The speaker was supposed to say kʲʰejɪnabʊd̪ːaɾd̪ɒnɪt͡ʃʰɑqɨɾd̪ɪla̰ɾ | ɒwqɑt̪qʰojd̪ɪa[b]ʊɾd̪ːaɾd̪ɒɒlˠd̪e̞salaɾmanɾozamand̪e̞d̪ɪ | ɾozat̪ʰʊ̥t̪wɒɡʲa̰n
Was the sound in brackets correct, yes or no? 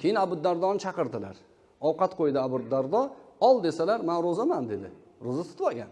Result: yes